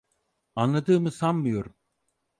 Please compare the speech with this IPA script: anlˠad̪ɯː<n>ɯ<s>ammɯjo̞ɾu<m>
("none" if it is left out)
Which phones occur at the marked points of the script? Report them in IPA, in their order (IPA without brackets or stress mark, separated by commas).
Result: m, s, m